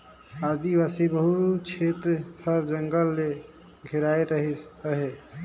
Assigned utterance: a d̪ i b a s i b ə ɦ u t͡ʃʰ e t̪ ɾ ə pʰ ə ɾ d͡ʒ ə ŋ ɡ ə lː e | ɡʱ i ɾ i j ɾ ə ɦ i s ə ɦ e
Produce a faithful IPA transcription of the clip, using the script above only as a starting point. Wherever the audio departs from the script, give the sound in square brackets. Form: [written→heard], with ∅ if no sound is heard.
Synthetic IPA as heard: a d̪ i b a s i b ə ɦ u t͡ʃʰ e t̪ ɾ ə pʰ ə ɾ d͡ʒ ə ŋ ɡ ə lː e | ɡʱ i ɾ [i→a] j ɾ ə ɦ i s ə ɦ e